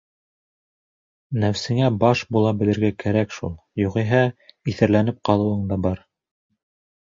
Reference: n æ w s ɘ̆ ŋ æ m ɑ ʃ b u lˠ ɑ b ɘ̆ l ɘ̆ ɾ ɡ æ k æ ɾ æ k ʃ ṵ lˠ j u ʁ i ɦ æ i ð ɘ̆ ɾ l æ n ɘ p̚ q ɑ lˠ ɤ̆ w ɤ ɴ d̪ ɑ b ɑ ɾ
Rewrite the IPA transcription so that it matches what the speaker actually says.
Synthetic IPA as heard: n æ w s ɘ̆ ŋ æ b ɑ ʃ b u lˠ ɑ b ɘ̆ l ɘ̆ ɾ ɡ æ k æ ɾ æ k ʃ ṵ lˠ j u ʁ i ɦ æ i θ ɘ̆ ɾ l æ n ɘ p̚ q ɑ lˠ ɤ̆ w ɤ ɴ d̪ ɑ b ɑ ɾ